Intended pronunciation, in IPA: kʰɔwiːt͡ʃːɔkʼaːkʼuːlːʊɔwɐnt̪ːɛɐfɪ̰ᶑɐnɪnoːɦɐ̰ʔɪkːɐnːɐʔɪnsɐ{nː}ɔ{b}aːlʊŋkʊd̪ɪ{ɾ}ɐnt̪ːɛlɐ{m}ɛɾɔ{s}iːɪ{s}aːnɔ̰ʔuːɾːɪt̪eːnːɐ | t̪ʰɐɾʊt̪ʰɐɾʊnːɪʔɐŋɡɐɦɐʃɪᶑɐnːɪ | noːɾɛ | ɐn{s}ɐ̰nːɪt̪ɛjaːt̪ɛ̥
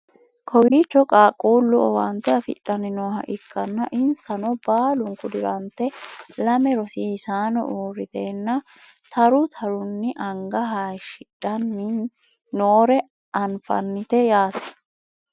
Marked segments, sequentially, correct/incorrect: incorrect: n, correct, correct, correct, correct, correct, incorrect: f

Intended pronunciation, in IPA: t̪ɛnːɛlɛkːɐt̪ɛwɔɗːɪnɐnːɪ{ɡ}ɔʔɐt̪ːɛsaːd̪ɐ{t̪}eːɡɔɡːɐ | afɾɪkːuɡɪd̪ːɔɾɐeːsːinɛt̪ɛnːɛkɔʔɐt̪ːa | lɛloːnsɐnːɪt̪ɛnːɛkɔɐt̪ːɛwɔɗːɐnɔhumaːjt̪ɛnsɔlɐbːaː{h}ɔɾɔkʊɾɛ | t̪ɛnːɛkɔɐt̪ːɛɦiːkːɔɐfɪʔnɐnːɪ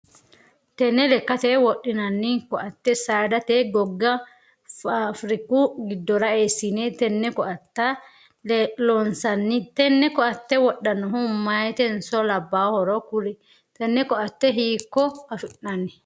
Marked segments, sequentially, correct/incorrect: incorrect: k, correct, correct

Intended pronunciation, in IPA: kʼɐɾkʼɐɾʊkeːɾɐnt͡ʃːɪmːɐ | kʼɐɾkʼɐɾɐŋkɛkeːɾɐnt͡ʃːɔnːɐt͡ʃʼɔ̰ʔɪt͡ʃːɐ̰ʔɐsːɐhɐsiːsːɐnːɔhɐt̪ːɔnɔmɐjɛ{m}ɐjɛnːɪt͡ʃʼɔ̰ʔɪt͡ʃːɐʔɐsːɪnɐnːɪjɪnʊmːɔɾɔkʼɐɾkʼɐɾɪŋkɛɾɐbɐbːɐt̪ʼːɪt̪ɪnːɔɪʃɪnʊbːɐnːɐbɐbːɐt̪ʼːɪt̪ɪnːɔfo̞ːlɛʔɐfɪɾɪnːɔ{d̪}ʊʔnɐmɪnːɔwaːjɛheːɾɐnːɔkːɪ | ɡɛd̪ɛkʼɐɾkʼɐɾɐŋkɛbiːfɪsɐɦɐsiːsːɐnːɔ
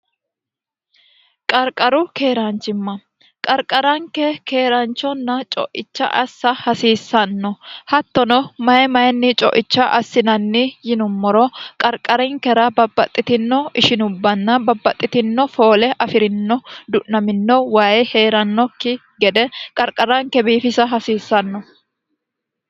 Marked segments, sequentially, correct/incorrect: correct, correct

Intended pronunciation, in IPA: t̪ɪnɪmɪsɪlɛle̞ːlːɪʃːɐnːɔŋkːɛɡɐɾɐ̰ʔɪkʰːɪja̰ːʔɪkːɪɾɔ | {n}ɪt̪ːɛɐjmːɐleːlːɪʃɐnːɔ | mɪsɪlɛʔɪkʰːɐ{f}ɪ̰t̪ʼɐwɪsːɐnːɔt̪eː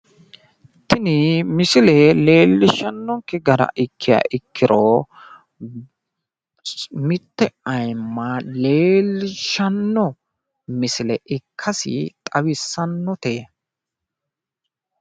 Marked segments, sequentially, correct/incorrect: incorrect: m, incorrect: s

